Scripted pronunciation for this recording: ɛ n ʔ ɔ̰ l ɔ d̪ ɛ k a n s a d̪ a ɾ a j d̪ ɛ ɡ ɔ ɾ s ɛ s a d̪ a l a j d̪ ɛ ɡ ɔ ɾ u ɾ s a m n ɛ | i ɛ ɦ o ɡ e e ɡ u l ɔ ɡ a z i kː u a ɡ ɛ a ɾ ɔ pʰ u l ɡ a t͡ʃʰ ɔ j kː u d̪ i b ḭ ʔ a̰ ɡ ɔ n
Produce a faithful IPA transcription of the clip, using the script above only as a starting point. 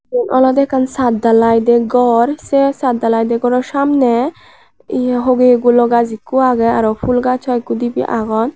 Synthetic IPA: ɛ n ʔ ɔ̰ l ɔ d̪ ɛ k a n s a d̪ a l a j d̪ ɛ ɡ ɔ ɾ s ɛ s a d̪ a l a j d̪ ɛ ɡ ɔ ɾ ɔ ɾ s a m n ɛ | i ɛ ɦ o ɡ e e ɡ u l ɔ ɡ a z i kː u a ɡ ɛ a ɾ ɔ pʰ u l ɡ a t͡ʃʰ ɔ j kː u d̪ i b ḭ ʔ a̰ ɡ ɔ n